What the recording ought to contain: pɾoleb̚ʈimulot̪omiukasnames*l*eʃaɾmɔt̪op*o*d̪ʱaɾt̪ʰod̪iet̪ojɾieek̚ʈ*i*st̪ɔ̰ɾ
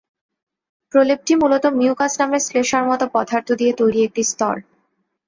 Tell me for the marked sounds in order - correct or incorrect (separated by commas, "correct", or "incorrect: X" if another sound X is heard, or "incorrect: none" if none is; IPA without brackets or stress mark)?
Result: correct, incorrect: ɔ, correct